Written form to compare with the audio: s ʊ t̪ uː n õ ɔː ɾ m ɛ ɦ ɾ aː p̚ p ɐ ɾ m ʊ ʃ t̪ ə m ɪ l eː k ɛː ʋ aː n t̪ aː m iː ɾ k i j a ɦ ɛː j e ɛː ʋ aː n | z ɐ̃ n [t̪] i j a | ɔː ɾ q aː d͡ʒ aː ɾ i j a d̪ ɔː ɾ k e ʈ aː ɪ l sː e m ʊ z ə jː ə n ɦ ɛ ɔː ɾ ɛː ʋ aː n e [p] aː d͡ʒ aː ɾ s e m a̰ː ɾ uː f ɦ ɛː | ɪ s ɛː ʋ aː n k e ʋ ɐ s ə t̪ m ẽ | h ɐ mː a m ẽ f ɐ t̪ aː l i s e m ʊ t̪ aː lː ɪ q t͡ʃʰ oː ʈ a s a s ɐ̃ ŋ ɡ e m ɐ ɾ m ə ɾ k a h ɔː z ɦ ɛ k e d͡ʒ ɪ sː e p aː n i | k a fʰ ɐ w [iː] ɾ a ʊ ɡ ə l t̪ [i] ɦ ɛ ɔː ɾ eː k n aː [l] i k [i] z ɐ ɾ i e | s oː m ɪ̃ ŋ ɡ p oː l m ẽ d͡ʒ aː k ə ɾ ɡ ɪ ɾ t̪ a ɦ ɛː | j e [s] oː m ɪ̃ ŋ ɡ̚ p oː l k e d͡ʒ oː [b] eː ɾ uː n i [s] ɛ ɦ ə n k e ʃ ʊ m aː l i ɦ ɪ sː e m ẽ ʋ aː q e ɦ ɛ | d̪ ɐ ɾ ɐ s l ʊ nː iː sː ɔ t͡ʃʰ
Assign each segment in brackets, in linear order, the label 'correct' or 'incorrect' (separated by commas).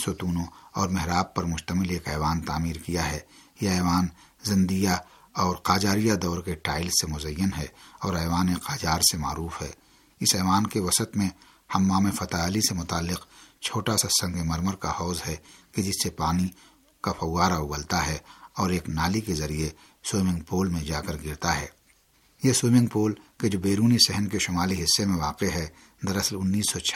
incorrect, incorrect, incorrect, incorrect, correct, incorrect, correct, correct, correct